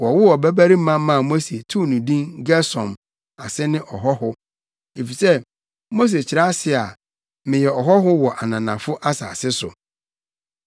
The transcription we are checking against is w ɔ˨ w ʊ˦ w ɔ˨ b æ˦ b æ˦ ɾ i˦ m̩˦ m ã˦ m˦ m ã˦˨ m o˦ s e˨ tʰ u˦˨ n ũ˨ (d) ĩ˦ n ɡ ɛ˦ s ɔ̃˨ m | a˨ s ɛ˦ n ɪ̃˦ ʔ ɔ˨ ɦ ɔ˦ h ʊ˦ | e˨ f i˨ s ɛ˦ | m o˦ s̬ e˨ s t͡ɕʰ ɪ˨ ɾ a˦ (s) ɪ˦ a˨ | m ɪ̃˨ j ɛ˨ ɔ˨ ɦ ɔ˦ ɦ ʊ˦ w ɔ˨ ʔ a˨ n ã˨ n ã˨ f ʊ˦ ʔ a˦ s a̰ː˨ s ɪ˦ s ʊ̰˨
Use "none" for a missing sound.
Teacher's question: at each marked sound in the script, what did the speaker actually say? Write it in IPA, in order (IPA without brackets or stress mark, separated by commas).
d, s